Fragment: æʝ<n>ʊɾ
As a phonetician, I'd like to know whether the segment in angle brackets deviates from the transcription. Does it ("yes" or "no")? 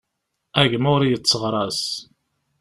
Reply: yes